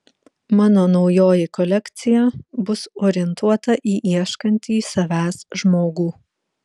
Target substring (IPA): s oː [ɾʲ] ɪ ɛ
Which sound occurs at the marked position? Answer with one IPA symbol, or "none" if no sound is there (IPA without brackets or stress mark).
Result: ɾʲ